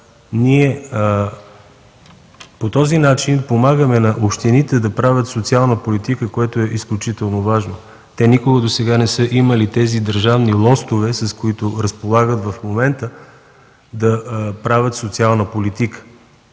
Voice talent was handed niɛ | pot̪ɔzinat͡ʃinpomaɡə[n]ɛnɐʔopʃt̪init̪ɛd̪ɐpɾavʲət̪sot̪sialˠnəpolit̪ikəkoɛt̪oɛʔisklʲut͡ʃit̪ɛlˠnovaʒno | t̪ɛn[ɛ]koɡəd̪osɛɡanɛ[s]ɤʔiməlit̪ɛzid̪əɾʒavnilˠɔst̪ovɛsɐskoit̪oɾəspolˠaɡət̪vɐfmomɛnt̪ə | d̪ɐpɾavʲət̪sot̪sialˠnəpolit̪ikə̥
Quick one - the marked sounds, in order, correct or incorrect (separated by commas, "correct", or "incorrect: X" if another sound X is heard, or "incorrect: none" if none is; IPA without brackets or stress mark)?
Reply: incorrect: m, incorrect: i, correct